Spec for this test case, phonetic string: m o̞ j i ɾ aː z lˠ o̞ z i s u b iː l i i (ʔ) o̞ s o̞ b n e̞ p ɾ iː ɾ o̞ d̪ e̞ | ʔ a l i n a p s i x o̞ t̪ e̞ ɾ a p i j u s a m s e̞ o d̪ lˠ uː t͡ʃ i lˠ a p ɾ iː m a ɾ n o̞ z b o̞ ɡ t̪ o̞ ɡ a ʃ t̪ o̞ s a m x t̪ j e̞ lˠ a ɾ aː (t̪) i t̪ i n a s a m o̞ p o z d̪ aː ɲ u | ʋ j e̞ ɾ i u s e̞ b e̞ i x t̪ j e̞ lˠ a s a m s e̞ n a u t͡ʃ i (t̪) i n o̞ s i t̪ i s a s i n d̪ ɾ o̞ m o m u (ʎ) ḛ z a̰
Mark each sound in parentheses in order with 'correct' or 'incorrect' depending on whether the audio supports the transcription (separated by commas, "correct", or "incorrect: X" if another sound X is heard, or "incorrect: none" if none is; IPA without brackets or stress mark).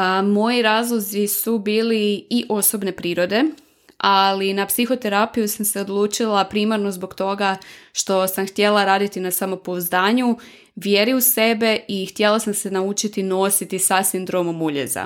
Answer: correct, incorrect: d̪, correct, correct